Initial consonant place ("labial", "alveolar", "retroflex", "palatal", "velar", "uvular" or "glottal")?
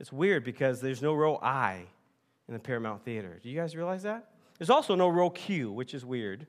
alveolar